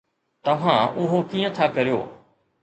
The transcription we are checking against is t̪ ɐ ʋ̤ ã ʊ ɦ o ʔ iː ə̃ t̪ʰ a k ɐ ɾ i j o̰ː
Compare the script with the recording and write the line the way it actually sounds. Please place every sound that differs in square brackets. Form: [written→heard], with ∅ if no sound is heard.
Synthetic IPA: t̪ ɐ ʋ̤ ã ʊ ɦ o [ʔ→k] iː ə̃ t̪ʰ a k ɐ ɾ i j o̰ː